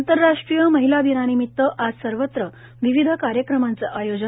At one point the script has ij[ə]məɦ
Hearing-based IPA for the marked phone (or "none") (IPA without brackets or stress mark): ə